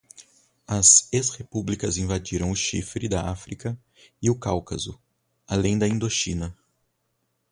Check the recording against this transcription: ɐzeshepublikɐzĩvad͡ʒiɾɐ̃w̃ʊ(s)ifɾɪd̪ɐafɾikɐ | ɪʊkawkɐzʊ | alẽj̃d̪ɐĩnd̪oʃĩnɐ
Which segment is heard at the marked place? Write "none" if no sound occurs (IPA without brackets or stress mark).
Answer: ʃ